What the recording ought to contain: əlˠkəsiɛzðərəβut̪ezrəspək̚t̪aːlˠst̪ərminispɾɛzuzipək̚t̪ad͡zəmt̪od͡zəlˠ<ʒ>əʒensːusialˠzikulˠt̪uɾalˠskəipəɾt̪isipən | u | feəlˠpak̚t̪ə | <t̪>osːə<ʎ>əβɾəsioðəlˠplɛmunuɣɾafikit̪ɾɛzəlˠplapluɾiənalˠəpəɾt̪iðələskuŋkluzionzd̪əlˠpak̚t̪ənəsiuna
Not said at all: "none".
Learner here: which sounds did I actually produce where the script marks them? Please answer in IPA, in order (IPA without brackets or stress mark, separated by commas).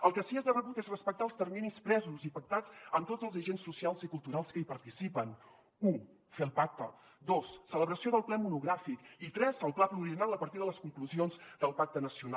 z, d̪, l